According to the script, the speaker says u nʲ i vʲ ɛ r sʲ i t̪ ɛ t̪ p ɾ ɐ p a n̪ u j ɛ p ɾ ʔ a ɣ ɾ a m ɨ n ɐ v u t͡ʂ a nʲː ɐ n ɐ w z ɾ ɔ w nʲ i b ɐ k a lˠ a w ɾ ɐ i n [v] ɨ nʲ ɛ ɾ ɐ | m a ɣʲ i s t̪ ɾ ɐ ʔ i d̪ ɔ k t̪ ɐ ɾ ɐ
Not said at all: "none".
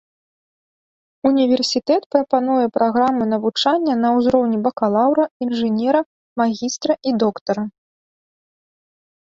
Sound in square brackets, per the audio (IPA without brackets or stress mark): ʐ